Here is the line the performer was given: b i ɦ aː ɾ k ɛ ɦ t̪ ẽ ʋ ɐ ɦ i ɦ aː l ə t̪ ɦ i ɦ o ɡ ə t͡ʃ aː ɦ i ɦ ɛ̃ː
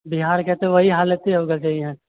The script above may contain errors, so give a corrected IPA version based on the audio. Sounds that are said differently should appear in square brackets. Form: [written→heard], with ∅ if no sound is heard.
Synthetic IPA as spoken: b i ɦ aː ɾ k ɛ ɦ t̪ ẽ ʋ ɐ ɦ i ɦ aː l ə t̪ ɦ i ɦ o ɡ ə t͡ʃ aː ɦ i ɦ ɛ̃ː